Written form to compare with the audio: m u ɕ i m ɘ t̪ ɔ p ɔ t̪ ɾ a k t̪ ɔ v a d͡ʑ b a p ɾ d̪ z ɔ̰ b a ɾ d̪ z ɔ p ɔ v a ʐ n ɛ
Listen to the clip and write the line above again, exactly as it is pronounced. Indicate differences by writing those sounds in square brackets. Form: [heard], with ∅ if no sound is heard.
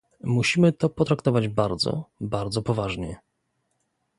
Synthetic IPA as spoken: m u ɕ i m ɘ t̪ ɔ p ɔ t̪ ɾ a k t̪ ɔ v a d͡ʑ b a [∅] ɾ d̪ z ɔ̰ b a ɾ d̪ z ɔ p ɔ v a ʐ [ɲ] ɛ